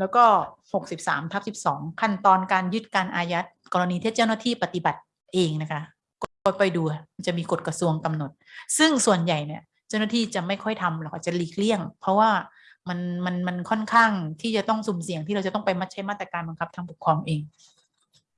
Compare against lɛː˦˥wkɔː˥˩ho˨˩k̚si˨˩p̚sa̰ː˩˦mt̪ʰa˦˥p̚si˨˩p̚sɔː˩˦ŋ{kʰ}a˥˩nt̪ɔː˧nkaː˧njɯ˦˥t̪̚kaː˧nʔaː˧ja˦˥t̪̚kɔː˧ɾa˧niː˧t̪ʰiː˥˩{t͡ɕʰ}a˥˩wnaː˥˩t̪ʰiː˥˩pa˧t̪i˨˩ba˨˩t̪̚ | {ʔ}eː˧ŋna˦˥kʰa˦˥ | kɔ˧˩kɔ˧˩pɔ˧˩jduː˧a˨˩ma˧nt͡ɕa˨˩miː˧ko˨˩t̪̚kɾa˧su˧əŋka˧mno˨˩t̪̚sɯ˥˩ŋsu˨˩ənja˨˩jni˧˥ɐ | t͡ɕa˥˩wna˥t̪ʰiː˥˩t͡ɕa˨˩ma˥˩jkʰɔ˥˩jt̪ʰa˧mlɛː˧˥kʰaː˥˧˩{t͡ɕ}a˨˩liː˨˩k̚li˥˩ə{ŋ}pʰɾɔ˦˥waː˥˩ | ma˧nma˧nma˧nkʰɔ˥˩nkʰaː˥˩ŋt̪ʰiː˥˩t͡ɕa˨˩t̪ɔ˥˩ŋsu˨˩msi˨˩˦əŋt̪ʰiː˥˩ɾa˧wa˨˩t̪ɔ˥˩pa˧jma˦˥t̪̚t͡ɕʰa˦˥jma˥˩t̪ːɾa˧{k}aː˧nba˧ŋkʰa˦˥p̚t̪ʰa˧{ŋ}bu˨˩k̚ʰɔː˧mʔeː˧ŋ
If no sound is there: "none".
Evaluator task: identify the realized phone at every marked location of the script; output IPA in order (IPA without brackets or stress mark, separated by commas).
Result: kʰ, t͡ɕ, ʔ, t͡ɕ, ŋ, k, ŋ